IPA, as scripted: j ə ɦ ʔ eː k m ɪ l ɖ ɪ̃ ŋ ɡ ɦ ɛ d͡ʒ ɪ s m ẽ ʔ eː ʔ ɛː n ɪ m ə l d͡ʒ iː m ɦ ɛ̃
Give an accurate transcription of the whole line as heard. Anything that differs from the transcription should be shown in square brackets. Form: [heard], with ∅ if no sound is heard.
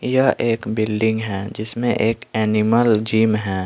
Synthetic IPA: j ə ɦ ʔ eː k [b] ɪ l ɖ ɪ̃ ŋ ɡ ɦ ɛ d͡ʒ ɪ s m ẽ ʔ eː [k] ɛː n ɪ m ə l d͡ʒ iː m ɦ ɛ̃

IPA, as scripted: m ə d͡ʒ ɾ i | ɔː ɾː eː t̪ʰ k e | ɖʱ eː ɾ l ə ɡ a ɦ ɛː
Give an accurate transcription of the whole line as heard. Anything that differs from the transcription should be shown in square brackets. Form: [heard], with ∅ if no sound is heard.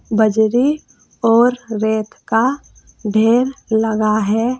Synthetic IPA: [b] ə d͡ʒ ɾ i | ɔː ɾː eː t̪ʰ k [a] | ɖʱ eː ɾ l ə ɡ a ɦ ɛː

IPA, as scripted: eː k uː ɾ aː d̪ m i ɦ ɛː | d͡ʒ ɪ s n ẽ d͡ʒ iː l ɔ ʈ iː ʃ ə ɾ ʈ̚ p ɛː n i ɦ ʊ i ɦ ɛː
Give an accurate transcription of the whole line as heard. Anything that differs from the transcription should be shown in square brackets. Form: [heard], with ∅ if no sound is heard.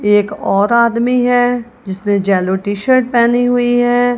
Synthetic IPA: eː k [ɔː] ɾ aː d̪ m i ɦ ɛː | d͡ʒ ɪ s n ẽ d͡ʒ [ɛː] l [o] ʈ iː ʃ ə ɾ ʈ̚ p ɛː n i ɦ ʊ i ɦ ɛː

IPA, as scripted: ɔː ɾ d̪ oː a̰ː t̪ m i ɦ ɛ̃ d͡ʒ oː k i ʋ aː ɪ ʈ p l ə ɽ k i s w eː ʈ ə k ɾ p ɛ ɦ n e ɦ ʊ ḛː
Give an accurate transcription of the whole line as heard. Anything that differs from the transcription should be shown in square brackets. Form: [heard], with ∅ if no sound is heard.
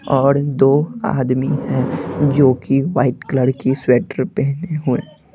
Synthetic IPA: ɔː ɾ d̪ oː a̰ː [d̪] m i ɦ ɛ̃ d͡ʒ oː k i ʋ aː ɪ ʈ [k] l ə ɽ k i s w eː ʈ ə [∅] ɾ p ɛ ɦ n e ɦ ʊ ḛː

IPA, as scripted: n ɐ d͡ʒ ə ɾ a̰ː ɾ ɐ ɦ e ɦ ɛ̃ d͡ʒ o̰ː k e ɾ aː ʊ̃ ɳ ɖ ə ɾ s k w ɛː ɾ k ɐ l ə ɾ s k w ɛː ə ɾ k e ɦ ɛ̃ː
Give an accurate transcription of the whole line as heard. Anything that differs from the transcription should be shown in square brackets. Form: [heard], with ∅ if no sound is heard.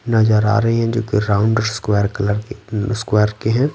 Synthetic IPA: n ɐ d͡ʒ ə ɾ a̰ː ɾ ɐ ɦ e ɦ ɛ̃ d͡ʒ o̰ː k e ɾ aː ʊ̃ ɳ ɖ ə ɾ s k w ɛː ɾ k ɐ l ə ɾ s k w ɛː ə ɾ k e ɦ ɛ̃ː

